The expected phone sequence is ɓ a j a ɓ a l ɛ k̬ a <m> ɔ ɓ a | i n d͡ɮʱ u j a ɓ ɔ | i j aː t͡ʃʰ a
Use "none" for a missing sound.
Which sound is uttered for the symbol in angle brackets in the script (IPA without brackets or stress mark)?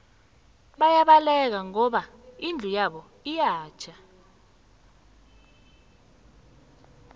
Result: ŋ